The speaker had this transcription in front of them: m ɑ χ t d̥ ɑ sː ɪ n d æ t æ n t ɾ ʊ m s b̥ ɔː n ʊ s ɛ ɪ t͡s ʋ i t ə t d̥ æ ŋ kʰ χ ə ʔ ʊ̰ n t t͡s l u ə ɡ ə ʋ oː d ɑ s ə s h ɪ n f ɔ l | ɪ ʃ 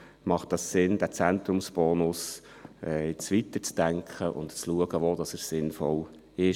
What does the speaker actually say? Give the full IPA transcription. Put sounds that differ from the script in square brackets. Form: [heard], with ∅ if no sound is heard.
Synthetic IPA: m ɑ χ t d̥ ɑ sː ɪ n d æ [t͡s] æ n t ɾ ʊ m s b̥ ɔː n ʊ s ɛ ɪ t͡s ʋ i t ə [t͡s] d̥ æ ŋ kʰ χ ə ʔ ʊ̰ n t t͡s l u ə ɡ ə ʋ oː d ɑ s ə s [s] ɪ n f ɔ l | ɪ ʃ